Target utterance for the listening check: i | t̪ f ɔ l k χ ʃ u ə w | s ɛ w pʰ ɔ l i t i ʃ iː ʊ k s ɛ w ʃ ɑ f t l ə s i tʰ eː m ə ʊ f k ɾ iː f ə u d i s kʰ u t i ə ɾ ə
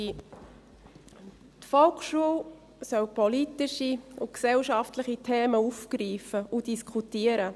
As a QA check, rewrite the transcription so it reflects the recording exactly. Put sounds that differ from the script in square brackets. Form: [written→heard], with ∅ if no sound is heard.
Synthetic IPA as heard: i | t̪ f ɔ l k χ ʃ u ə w | s [ɛ→œ] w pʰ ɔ l i t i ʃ [iː→i] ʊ k s ɛ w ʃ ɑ f t l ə [s→χ] i tʰ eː m ə [ʊ→u] f k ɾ iː f ə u d i s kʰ u t i ə ɾ ə